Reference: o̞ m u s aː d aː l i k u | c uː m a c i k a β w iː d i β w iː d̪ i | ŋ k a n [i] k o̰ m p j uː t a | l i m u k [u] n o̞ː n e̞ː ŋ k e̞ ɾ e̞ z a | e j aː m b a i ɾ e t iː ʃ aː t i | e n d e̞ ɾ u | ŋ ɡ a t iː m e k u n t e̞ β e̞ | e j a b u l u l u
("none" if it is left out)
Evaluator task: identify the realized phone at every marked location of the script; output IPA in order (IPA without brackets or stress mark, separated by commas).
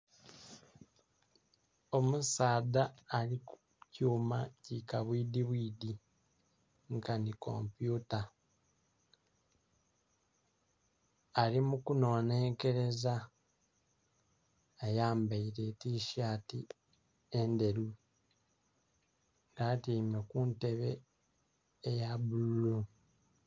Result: i, u